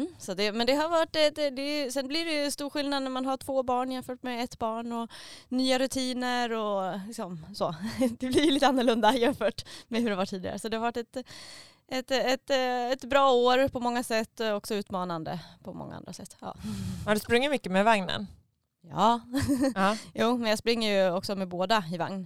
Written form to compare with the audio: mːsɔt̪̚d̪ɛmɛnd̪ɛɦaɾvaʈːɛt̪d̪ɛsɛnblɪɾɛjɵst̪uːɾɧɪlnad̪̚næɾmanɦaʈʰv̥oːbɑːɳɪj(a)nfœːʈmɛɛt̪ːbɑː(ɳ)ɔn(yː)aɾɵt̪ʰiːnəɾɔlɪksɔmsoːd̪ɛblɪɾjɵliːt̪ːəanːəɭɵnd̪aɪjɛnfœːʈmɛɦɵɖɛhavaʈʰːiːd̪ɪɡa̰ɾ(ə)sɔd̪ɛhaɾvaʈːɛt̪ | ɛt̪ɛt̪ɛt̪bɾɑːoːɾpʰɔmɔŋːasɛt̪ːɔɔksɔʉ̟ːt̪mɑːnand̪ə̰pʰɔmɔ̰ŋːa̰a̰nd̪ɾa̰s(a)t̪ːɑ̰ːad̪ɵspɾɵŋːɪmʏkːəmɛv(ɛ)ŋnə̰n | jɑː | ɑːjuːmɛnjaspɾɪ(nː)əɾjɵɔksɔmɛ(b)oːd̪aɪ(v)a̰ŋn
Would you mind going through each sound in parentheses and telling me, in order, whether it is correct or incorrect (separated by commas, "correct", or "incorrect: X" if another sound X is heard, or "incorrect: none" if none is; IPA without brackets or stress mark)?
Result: incorrect: ɛ, correct, correct, correct, incorrect: ɛ, incorrect: a, incorrect: ŋː, correct, correct